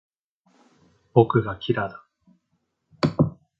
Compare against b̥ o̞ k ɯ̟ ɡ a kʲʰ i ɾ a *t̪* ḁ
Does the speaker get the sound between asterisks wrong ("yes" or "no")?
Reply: yes